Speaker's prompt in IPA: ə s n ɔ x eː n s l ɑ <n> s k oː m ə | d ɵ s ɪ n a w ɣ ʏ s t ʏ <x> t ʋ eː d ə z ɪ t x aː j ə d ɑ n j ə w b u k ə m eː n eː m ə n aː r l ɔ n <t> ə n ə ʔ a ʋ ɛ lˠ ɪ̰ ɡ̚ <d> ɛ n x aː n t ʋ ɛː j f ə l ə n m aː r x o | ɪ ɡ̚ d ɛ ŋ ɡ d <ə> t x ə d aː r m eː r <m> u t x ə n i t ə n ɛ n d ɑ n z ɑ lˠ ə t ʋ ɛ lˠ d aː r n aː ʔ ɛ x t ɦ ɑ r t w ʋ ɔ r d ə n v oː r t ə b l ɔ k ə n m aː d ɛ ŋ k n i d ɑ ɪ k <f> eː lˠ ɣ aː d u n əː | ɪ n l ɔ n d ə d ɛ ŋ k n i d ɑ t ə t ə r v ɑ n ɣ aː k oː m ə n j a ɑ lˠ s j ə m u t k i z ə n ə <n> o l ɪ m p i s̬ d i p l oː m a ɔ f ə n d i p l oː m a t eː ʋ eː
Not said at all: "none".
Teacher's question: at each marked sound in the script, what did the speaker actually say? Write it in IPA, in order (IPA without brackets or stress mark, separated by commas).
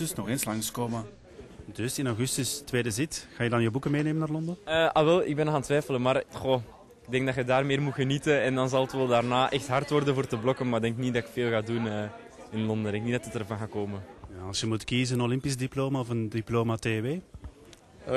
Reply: ŋ, s, d, b, ɑ, m, f, n